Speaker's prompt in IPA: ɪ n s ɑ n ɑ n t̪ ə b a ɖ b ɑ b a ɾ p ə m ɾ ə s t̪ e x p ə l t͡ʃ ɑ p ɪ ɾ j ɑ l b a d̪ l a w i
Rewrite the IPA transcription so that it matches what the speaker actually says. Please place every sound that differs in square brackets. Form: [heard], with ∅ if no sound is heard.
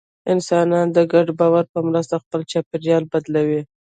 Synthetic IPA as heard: ɪ n s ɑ n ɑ n [d̪] ə [ɡ] a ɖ b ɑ [w] a ɾ p ə m ɾ ə s t̪ [a] x p ə l t͡ʃ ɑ p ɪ ɾ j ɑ l b a d̪ l a w i